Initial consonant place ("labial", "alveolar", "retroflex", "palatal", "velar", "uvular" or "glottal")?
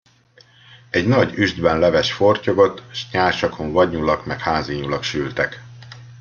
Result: palatal